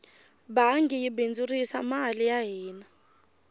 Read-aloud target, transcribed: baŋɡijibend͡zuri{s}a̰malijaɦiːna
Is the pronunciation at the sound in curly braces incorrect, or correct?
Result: correct